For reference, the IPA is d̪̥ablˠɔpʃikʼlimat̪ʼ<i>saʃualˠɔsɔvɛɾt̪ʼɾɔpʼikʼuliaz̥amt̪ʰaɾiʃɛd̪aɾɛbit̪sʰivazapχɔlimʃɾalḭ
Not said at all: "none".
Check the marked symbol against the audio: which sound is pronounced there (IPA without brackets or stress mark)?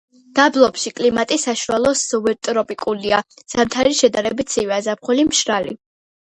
i